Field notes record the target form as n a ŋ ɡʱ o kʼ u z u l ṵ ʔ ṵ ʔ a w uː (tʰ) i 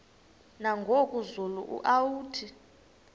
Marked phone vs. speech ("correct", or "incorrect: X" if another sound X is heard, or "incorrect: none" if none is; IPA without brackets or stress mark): correct